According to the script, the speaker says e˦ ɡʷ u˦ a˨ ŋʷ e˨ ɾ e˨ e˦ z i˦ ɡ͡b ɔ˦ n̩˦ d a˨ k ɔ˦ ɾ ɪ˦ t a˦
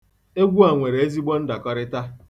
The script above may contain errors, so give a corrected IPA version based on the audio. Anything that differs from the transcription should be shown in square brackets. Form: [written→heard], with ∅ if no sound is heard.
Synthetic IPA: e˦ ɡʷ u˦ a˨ ŋʷ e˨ ɾ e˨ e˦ z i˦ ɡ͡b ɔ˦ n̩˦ d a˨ k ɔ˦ ɾ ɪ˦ t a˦